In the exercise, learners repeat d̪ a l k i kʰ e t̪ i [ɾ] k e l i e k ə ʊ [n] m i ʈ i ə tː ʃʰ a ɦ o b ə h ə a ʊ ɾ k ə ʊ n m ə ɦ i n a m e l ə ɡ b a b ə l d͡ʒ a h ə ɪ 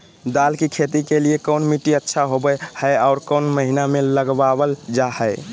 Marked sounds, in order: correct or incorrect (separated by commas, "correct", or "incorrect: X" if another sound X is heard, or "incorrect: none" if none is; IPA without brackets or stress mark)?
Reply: incorrect: none, correct